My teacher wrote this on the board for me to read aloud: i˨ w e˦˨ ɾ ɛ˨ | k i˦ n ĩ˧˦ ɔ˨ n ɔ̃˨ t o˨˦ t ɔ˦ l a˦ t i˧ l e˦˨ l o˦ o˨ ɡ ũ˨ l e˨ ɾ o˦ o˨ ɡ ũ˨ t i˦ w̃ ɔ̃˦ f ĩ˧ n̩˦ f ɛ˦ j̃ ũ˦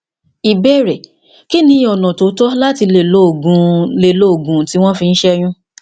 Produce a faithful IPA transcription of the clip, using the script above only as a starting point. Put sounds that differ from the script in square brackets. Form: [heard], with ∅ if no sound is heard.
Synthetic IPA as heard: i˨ [b] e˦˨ ɾ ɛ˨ | k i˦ n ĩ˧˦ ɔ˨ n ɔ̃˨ t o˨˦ t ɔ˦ l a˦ t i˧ l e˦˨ l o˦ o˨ ɡ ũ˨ l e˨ [l] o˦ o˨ ɡ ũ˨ t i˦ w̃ ɔ̃˦ f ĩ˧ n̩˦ [ʃ] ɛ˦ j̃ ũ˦